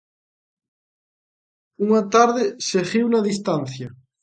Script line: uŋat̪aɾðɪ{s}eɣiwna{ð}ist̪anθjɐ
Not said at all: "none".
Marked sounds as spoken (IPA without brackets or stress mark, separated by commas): s, ð